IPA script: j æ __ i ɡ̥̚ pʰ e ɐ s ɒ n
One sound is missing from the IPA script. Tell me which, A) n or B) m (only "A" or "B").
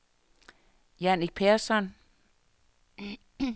A